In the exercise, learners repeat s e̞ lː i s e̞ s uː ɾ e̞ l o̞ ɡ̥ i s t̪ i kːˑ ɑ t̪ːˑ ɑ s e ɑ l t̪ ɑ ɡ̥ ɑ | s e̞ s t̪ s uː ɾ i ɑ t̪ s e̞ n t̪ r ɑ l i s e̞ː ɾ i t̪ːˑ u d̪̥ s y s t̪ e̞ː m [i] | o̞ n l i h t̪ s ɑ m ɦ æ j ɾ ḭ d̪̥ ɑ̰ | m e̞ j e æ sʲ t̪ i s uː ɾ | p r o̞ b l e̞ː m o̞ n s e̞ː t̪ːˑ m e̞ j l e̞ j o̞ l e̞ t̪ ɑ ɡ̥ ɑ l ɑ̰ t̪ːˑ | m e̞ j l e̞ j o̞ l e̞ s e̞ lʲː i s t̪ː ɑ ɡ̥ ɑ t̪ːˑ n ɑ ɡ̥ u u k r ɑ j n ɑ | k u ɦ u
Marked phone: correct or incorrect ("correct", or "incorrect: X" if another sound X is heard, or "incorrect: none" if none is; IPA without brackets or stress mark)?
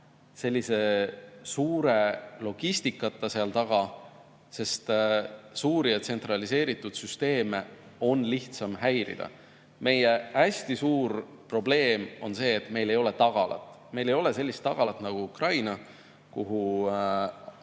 incorrect: e